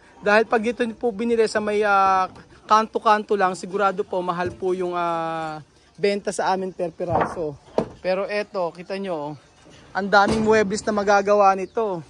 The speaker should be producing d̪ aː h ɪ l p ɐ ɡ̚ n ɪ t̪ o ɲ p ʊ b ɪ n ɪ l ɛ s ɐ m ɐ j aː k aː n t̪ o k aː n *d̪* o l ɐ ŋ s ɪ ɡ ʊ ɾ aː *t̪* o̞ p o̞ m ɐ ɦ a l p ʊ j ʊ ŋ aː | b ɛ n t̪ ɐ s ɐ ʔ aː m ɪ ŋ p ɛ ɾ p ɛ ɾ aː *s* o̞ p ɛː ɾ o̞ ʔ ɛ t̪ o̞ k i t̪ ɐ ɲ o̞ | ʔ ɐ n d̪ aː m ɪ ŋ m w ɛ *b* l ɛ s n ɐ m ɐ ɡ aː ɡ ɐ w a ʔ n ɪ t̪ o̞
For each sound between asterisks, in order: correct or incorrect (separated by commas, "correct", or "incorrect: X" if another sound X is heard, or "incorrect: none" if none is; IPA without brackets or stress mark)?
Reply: incorrect: t̪, incorrect: d̪, correct, correct